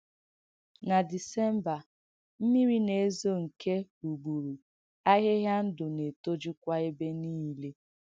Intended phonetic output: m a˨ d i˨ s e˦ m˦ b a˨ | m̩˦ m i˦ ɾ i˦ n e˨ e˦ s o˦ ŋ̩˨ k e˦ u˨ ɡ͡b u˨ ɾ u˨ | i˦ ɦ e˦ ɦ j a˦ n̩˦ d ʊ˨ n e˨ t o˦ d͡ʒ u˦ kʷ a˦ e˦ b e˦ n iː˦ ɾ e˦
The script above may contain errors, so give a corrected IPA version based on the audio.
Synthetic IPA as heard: n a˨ d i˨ s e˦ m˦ b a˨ | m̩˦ m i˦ ɾ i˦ n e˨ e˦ z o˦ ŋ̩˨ k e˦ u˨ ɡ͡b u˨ ɾ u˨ | a˦ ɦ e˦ ɦ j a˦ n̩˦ d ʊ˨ n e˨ t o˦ d͡ʒ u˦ kʷ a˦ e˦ b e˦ n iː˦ l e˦